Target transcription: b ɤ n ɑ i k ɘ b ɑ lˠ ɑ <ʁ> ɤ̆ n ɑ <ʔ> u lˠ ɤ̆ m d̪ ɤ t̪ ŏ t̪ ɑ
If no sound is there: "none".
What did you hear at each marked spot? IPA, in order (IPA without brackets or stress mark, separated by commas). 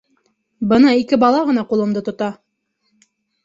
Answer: ʁ, q